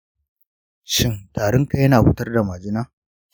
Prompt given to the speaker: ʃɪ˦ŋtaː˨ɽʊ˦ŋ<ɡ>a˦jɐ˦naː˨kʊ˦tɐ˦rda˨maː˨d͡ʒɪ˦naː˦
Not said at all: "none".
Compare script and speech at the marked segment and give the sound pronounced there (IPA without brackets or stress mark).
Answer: k